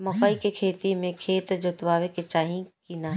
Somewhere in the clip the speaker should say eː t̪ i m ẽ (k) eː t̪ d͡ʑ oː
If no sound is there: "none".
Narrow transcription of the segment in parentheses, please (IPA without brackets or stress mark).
kʰ